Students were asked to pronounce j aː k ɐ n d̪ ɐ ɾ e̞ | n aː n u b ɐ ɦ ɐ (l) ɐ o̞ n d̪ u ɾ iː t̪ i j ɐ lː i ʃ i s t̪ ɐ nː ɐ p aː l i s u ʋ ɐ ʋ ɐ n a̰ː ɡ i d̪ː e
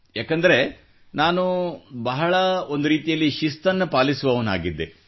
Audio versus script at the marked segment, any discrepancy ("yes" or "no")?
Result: yes